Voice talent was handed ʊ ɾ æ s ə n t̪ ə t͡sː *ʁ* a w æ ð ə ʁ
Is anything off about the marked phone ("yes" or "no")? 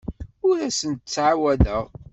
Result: yes